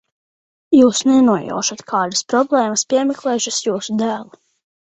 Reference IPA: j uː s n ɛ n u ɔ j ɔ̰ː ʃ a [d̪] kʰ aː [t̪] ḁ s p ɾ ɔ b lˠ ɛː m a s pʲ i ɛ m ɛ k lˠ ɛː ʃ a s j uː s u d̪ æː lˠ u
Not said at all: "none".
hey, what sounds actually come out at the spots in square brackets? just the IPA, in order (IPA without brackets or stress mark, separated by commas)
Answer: t̪, d̪